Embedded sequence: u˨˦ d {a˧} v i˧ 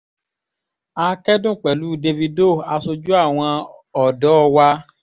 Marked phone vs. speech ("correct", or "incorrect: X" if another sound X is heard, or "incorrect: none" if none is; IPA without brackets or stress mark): incorrect: e˧